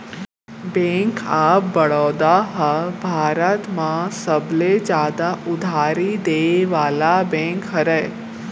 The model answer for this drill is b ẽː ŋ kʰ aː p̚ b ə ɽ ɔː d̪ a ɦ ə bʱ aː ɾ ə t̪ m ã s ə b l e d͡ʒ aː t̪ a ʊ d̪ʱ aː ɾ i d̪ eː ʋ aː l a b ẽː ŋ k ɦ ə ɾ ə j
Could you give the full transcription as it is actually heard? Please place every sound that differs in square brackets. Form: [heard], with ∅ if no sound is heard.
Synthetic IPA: b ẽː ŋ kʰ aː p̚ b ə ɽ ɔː d̪ a ɦ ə bʱ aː ɾ ə t̪ m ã s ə b l e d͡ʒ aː [d̪] a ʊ d̪ʱ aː ɾ i d̪ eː ʋ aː l a b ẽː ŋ k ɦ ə ɾ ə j